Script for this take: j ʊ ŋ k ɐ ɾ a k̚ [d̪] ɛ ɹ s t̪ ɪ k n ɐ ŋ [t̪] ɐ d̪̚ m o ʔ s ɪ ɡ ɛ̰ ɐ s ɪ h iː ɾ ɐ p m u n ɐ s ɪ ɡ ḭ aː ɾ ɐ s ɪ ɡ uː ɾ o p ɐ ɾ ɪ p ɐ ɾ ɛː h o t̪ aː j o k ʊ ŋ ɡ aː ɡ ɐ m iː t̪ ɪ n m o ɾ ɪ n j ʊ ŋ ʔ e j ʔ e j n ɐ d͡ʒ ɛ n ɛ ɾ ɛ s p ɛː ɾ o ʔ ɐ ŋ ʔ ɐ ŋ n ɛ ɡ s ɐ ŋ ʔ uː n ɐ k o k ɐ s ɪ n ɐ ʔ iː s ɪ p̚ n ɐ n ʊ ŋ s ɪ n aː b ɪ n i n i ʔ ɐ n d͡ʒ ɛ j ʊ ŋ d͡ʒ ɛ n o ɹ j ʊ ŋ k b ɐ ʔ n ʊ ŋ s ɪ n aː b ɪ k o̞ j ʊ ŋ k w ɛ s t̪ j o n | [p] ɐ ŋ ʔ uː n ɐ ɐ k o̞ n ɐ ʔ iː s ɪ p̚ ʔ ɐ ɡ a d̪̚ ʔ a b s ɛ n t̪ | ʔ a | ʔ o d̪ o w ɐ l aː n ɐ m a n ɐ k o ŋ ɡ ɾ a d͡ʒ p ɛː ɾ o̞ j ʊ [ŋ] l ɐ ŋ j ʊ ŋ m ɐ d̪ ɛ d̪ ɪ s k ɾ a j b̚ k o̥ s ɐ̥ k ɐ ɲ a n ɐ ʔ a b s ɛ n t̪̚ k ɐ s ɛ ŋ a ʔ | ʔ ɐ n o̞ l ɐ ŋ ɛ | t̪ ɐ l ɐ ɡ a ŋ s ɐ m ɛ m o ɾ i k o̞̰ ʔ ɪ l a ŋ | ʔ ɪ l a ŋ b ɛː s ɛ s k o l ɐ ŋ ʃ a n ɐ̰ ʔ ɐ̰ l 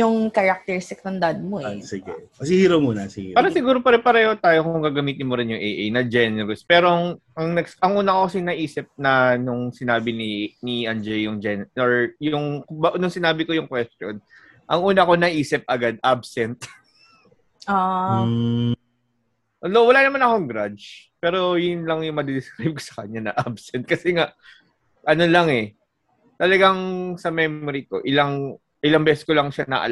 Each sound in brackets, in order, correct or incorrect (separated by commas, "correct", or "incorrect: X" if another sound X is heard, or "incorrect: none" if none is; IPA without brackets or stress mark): incorrect: t̪, incorrect: d̪, incorrect: ʔ, incorrect: n